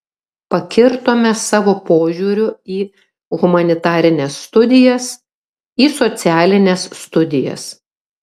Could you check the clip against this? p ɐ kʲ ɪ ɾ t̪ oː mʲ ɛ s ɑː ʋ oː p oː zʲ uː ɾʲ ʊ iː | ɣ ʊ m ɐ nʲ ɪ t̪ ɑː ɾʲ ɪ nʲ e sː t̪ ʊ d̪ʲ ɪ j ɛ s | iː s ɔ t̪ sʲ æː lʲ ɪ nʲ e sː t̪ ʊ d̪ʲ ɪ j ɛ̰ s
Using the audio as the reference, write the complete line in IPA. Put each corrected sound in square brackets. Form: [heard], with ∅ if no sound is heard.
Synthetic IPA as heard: p ɐ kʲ ɪ ɾ t̪ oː mʲ ɛ s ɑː ʋ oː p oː [ʒʲ] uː ɾʲ ʊ iː | ɣ ʊ m ɐ nʲ ɪ t̪ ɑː ɾʲ ɪ nʲ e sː t̪ ʊ d̪ʲ ɪ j ɛ s | iː s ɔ t̪ sʲ æː lʲ ɪ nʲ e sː t̪ ʊ d̪ʲ ɪ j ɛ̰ s

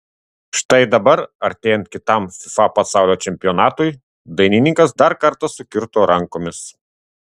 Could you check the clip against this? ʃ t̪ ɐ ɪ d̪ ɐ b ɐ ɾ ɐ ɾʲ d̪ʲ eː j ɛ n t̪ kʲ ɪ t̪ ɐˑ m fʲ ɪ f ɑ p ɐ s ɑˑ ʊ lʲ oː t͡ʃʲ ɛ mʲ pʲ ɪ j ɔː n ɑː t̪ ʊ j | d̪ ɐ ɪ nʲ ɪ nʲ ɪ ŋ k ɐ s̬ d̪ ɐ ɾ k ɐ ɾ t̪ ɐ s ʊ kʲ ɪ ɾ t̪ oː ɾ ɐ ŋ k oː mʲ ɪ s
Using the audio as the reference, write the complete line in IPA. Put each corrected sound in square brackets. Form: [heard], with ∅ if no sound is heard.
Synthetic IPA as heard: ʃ t̪ ɐ ɪ d̪ ɐ b ɐ ɾ ɐ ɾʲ [t̪ʲ] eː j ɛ n t̪ kʲ ɪ t̪ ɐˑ m fʲ ɪ f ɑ p ɐ s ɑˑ ʊ lʲ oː t͡ʃʲ ɛ mʲ pʲ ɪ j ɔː n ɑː t̪ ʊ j | d̪ ɐ ɪ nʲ ɪ nʲ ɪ ŋ k ɐ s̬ d̪ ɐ ɾ k ɐ ɾ t̪ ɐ s ʊ kʲ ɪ ɾ t̪ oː ɾ ɐ ŋ k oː mʲ ɪ s

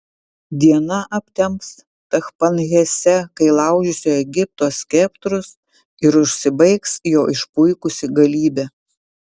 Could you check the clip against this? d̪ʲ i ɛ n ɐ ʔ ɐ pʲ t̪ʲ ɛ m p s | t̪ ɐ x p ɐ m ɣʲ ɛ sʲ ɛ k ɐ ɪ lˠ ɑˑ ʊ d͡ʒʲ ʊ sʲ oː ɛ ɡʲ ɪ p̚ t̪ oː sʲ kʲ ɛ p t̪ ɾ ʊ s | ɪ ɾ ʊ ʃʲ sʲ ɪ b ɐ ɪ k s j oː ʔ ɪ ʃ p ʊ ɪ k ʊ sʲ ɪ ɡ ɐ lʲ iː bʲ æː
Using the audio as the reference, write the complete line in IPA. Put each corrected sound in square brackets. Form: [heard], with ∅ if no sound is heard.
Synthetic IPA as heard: d̪ʲ i ɛ n ɐ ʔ ɐ pʲ t̪ʲ ɛ m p s | t̪ ɐ x p ɐ [n] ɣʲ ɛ sʲ ɛ k ɐ ɪ lˠ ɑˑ ʊ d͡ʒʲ ʊ sʲ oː ɛ ɡʲ ɪ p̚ t̪ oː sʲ kʲ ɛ p t̪ ɾ ʊ s | ɪ ɾ ʊ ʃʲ sʲ ɪ b ɐ ɪ k s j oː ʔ ɪ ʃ p ʊ ɪ k ʊ sʲ ɪ ɡ ɐ lʲ iː bʲ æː

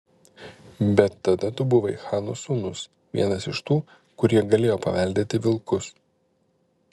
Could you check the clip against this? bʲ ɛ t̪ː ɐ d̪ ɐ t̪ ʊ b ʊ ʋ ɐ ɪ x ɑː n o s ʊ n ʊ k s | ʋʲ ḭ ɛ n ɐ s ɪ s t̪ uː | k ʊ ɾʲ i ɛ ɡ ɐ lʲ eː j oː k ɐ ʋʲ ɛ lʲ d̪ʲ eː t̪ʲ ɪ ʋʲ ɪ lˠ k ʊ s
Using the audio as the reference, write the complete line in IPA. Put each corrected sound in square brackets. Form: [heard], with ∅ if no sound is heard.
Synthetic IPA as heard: bʲ ɛ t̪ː ɐ d̪ ɐ t̪ ʊ b ʊ ʋ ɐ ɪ x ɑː n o s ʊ n ʊ [∅] s | ʋʲ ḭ ɛ n ɐ s ɪ [ʃ] t̪ uː | k ʊ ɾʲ i ɛ ɡ ɐ lʲ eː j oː [p] ɐ ʋʲ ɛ lʲ d̪ʲ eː t̪ʲ ɪ ʋʲ ɪ lˠ k ʊ s

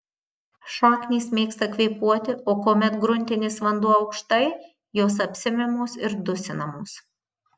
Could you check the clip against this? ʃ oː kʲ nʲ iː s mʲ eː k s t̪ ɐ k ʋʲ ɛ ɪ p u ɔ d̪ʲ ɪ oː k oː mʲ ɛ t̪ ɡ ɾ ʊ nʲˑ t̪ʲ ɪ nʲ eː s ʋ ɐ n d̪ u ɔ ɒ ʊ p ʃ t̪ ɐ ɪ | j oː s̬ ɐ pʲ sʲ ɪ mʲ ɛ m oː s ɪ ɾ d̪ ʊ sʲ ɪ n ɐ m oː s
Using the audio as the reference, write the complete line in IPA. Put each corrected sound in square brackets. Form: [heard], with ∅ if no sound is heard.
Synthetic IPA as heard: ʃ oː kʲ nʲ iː s mʲ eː k s t̪ ɐ k ʋʲ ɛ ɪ p u ɔ [t̪ʲ] ɪ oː k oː mʲ ɛ t̪ ɡ ɾ ʊ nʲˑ t̪ʲ ɪ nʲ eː s ʋ ɐ n d̪ u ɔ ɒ ʊ [k] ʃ t̪ ɐ ɪ | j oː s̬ ɐ pʲ sʲ ɪ mʲ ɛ m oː s ɪ ɾ d̪ ʊ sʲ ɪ n ɐ m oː s

